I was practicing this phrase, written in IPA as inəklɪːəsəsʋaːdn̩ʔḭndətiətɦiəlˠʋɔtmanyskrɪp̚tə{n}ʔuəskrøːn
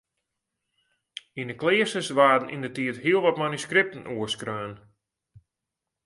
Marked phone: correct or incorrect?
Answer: correct